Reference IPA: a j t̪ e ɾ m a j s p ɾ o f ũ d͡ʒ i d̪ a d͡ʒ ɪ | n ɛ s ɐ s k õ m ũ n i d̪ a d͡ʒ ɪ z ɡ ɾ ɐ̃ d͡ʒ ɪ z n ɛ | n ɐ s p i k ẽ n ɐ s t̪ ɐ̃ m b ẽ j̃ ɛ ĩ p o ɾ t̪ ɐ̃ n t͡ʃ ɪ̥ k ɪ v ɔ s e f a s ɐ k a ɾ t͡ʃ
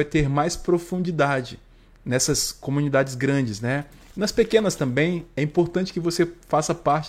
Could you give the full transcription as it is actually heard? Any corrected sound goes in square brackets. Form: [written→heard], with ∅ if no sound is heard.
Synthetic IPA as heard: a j t̪ e ɾ m a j s p ɾ o f ũ d͡ʒ i d̪ a d͡ʒ ɪ | n ɛ s ɐ s k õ m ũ n i d̪ a d͡ʒ ɪ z ɡ ɾ ɐ̃ d͡ʒ ɪ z n ɛ | n ɐ s p [i→e] k ẽ n ɐ s t̪ ɐ̃ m b ẽ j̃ ɛ ĩ p o ɾ t̪ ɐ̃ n t͡ʃ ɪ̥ k ɪ v [ɔ→o] s e f a s ɐ [k→p] a ɾ t͡ʃ